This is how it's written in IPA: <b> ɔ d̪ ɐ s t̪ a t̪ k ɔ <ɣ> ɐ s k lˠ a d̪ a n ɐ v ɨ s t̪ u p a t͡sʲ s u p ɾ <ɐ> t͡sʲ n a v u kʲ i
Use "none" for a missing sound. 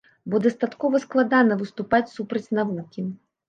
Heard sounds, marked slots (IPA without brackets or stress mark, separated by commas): b, v, ɐ